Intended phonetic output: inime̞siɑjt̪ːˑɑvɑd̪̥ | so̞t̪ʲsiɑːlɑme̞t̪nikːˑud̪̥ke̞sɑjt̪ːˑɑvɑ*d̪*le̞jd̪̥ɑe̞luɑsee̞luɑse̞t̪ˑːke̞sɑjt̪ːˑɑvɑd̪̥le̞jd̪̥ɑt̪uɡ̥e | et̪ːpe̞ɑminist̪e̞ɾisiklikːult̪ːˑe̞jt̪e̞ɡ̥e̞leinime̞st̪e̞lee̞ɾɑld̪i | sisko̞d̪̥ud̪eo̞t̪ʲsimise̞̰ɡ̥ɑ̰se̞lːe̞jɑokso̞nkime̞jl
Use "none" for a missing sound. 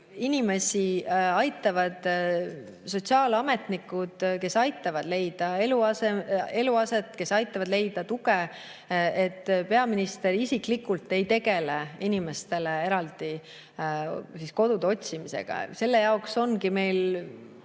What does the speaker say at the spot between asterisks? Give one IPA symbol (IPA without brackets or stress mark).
d̪